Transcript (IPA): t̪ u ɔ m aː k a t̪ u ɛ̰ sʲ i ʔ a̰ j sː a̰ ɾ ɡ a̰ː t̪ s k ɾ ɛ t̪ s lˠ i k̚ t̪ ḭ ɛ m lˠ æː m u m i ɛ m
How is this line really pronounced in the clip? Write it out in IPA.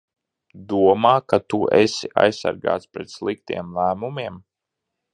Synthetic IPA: d̪ u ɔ m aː k a t̪ u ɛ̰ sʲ i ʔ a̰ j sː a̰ ɾ ɡ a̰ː t̪ s p ɾ ɛ t̪ s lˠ i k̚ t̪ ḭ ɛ m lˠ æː m u m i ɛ m